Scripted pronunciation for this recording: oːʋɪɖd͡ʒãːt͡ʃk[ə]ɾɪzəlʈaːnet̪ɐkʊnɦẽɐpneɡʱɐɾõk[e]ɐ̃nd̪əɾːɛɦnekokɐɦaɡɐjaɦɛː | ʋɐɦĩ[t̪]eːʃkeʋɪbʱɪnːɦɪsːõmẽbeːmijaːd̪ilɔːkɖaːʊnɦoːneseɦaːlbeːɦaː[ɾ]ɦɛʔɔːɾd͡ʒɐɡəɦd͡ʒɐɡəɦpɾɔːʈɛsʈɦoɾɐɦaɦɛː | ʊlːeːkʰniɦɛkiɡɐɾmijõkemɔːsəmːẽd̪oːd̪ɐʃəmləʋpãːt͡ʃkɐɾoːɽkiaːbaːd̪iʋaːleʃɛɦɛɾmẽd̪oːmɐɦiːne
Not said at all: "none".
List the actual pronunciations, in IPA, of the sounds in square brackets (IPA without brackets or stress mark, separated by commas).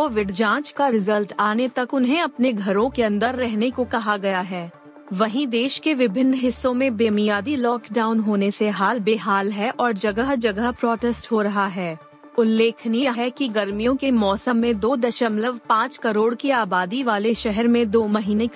a, e, d̪, l